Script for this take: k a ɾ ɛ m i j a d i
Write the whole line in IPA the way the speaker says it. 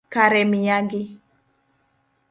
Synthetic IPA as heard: k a ɾ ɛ m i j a ɡ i